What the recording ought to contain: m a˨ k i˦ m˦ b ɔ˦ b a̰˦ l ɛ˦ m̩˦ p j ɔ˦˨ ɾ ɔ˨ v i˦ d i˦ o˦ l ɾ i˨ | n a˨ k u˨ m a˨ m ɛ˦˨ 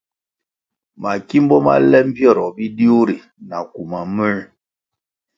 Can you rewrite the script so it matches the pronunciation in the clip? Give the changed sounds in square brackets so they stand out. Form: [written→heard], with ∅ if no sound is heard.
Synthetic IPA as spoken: m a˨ k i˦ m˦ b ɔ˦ [b→m] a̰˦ l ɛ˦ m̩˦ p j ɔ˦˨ ɾ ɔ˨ [v→b] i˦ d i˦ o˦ [l→∅] ɾ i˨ | n a˨ k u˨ m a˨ m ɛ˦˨